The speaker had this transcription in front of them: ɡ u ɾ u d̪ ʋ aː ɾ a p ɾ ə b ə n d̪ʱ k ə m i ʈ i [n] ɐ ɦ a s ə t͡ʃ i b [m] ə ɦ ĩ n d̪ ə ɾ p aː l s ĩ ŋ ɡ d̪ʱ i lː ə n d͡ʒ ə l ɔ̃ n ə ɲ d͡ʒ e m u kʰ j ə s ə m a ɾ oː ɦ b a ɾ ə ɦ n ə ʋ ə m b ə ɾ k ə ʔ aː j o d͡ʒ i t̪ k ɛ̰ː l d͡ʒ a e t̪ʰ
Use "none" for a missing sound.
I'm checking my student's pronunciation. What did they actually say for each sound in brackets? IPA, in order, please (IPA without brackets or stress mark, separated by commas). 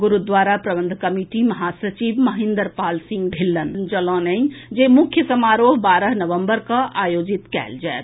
m, m